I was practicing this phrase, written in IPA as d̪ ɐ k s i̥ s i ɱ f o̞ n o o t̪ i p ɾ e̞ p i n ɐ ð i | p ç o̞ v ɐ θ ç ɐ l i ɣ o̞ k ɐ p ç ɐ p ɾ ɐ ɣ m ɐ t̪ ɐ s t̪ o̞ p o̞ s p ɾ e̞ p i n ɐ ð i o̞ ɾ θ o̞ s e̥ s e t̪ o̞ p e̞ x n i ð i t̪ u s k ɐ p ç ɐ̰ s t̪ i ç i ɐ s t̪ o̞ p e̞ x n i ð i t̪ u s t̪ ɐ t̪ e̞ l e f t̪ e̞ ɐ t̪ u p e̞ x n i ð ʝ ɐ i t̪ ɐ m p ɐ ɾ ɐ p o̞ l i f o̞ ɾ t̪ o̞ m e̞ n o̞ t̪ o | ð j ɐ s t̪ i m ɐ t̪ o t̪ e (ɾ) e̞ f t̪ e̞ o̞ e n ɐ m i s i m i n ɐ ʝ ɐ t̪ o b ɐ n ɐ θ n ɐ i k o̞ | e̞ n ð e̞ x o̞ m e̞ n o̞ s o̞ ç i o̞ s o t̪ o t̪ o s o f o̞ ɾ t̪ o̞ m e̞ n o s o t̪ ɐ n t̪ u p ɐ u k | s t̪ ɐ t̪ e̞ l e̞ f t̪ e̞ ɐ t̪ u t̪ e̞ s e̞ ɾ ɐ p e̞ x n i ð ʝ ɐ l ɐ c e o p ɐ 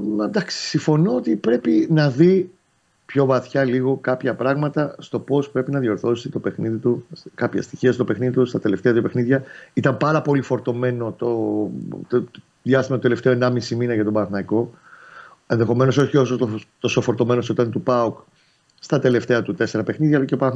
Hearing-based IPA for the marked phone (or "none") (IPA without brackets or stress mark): l